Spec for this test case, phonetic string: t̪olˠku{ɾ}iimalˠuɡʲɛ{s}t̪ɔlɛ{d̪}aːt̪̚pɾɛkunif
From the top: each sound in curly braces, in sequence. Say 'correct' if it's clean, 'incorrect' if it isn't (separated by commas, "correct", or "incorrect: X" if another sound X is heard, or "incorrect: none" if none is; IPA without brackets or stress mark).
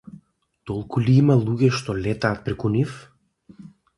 incorrect: l, incorrect: ʃ, incorrect: t̪